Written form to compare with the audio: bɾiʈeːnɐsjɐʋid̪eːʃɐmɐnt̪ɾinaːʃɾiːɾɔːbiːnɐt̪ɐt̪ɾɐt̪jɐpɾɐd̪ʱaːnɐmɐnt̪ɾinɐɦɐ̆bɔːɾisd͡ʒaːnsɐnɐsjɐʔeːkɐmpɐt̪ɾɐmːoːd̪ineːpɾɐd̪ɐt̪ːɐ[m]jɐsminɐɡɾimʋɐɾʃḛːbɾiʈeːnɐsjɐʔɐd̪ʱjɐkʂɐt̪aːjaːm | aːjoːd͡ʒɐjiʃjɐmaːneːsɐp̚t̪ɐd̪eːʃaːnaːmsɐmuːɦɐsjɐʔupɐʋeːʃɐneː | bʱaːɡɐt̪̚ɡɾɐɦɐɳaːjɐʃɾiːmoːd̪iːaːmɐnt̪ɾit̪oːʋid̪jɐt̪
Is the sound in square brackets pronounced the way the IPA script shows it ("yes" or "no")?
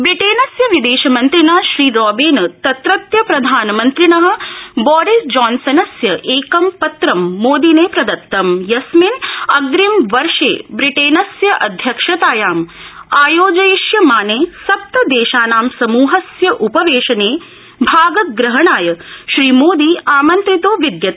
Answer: yes